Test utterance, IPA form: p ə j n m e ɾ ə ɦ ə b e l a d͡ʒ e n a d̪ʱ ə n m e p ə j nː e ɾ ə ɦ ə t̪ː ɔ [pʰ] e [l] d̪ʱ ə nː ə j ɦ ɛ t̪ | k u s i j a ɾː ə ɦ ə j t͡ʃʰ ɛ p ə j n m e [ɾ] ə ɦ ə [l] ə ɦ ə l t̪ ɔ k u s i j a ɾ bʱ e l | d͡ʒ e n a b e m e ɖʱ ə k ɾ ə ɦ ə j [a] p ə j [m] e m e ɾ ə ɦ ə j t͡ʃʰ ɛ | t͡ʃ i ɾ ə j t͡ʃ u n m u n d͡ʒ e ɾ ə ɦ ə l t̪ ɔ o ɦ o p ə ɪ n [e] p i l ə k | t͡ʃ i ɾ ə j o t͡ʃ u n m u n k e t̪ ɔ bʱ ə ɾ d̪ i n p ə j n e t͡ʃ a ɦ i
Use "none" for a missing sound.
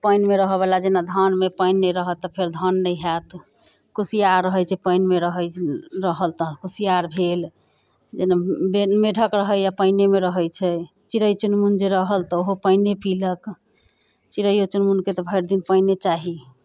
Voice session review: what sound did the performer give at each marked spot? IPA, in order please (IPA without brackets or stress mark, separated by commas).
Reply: pʰ, ɾ, ɾ, ɾ, a, n, e